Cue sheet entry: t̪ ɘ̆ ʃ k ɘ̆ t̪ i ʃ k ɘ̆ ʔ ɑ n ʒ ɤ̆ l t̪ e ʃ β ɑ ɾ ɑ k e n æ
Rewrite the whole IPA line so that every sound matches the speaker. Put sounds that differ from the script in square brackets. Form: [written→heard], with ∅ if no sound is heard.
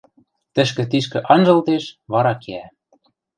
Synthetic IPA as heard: t̪ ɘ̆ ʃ k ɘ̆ t̪ i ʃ k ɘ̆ ʔ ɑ n ʒ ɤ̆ l t̪ e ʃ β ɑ ɾ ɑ k e [n→∅] æ

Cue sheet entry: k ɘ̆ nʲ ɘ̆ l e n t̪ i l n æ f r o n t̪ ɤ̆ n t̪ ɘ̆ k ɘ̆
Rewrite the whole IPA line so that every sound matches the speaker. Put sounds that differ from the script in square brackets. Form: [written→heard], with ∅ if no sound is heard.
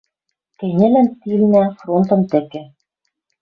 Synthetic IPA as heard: k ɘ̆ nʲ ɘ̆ l [e→æ] n t̪ i l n æ f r o n t̪ ɤ̆ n t̪ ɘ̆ k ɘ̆

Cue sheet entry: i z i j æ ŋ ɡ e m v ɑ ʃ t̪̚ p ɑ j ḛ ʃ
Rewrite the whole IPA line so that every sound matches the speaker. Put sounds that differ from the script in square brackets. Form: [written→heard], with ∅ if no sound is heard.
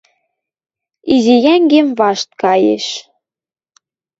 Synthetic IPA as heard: i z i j æ ŋ ɡ e m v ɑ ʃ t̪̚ [p→k] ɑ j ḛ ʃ

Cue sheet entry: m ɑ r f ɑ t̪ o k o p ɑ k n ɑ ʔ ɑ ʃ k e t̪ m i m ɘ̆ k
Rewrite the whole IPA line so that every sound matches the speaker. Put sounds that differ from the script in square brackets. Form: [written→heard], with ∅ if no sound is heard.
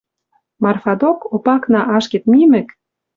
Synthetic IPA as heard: m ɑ r f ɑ [t̪→d̪] o k o p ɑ k n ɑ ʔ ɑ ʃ k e t̪ m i m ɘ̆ k

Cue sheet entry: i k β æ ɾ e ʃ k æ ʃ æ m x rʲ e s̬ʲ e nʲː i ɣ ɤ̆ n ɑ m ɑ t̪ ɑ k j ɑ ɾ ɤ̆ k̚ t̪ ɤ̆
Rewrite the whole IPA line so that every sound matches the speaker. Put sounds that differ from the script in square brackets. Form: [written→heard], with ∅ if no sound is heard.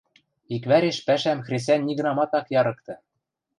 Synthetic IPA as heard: i k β æ ɾ e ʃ [k→p] æ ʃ æ m x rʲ e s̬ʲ [e→æ] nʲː i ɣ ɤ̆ n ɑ m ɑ t̪ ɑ k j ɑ ɾ ɤ̆ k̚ t̪ ɤ̆

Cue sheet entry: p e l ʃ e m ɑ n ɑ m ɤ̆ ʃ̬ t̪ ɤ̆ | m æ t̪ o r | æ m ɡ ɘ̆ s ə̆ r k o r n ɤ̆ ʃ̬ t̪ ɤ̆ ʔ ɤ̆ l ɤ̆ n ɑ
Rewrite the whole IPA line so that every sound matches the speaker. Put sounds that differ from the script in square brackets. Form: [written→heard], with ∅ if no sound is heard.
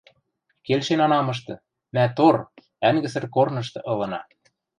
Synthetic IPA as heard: [p→k] e l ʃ e [m→n] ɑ n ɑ m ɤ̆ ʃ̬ t̪ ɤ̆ | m æ t̪ o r | æ [m→ŋ] ɡ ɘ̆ s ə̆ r k o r n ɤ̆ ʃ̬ t̪ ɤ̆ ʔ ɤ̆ l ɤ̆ n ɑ

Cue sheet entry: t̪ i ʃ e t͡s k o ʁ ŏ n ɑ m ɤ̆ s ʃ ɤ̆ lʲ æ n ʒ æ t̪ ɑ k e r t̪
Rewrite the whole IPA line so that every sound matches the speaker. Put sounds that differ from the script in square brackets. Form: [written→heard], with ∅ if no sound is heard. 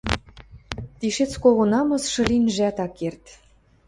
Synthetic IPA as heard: t̪ i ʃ e t͡s k o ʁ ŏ n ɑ m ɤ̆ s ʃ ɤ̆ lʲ [æ→i] n ʒ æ t̪ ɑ k e r t̪

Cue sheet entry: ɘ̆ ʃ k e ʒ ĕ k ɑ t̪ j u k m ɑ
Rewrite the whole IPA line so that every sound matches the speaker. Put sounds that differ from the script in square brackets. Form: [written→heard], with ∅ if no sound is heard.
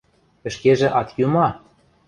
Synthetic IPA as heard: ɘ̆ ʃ k e ʒ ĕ [k→ʔ] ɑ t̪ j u [k→∅] m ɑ

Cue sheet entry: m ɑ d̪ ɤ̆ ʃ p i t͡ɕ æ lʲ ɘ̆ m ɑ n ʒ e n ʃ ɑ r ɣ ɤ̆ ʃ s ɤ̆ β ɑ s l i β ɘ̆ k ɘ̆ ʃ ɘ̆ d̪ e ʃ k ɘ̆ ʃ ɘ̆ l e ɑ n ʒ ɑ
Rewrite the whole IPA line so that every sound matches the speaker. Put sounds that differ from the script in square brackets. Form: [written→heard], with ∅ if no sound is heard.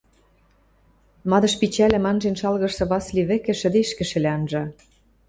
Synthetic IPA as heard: m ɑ d̪ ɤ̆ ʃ p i t͡ɕ æ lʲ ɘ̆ m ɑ n ʒ e n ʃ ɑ [r→l] ɣ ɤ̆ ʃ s ɤ̆ β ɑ s l i β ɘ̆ k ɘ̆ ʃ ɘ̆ d̪ e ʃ k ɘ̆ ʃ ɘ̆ l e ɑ n ʒ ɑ

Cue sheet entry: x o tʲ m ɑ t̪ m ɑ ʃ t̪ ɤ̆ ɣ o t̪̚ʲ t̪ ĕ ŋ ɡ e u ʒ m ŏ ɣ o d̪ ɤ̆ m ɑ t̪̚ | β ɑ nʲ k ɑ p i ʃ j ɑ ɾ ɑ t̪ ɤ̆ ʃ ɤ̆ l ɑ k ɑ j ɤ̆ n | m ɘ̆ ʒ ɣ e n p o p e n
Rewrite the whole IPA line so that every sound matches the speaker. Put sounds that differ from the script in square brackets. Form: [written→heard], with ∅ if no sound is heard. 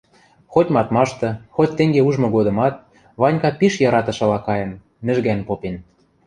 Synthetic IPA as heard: x o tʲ m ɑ t̪ m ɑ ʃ t̪ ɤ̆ [ɣ→x] o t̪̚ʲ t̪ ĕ ŋ ɡ e u ʒ m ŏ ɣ o d̪ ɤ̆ m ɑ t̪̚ | β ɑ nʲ k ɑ p i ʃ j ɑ ɾ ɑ t̪ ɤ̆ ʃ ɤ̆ l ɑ k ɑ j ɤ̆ n | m ɘ̆ ʒ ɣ [e→æ] n p o p e n

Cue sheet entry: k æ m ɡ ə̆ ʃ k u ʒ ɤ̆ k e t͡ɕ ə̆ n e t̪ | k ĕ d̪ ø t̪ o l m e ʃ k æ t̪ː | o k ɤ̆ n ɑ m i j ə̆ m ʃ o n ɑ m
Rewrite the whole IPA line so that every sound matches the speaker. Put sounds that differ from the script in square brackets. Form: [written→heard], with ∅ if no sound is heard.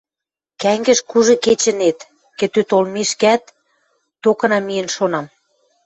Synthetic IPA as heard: k æ [m→ŋ] ɡ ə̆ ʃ k u ʒ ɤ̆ k e t͡ɕ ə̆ n e t̪ | k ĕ [d̪→t̪] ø t̪ o l m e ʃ k æ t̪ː | o k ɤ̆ n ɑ m i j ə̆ [m→n] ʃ o n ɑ m

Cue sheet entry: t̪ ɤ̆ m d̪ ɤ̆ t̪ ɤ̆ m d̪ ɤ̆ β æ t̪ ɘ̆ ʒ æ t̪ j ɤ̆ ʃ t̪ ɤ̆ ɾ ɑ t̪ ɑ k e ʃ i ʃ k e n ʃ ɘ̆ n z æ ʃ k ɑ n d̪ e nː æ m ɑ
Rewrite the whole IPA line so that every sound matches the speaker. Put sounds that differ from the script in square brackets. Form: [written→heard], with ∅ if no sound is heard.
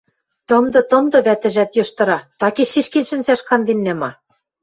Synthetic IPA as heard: t̪ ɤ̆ m d̪ ɤ̆ t̪ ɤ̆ m d̪ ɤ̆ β æ t̪ ɘ̆ ʒ æ t̪ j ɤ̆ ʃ t̪ ɤ̆ ɾ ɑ t̪ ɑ k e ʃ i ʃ k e n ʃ ɘ̆ n [z→s] æ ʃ k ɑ n d̪ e nː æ m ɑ

